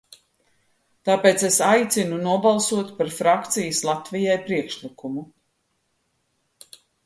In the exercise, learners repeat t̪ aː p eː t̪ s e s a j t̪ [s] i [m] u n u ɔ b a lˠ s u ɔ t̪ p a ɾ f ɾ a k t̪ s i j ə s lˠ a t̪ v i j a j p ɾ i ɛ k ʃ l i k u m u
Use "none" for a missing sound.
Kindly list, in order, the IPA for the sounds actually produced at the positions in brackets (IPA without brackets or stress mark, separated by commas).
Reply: s, n